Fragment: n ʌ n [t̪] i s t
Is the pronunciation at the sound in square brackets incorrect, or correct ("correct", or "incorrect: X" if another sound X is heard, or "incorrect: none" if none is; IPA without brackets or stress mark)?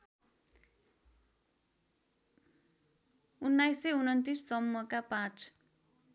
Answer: correct